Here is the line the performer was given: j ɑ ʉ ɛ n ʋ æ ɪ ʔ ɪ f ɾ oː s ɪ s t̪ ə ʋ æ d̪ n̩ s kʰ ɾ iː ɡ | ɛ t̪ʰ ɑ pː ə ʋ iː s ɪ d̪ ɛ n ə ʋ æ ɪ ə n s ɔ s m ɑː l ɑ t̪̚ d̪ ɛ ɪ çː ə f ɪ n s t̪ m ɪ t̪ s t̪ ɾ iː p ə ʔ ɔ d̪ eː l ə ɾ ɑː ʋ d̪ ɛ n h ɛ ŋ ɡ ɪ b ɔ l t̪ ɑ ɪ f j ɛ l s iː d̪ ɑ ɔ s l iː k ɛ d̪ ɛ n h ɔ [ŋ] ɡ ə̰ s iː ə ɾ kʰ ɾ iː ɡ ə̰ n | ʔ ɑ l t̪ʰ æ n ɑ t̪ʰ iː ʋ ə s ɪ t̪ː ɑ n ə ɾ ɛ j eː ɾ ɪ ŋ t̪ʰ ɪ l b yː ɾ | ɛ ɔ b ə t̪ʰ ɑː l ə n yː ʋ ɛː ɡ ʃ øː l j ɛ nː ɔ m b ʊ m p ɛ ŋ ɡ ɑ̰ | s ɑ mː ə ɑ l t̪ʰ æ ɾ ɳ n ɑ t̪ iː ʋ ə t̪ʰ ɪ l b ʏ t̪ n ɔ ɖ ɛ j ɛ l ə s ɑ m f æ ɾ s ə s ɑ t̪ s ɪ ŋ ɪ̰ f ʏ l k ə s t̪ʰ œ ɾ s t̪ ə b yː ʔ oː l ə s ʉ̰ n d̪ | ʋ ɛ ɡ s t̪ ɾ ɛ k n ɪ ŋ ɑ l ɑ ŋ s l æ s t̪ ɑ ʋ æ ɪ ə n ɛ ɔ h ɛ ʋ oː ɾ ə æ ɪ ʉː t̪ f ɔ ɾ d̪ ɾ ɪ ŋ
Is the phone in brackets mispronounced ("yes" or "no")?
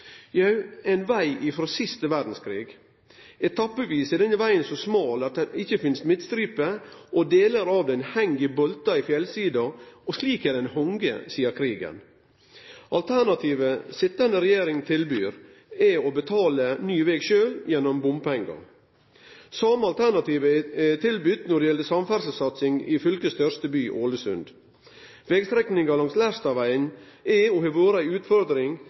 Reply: no